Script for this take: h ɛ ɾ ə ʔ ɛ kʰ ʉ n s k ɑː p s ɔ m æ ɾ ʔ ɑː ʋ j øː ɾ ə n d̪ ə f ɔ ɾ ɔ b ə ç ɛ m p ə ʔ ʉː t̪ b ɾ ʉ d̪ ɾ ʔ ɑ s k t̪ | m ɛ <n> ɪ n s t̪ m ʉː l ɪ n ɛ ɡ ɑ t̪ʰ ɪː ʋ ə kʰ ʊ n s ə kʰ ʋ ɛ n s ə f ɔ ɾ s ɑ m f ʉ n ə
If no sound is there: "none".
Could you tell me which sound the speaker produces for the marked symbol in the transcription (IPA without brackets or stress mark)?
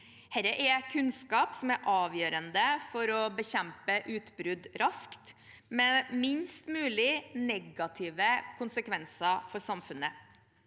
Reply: m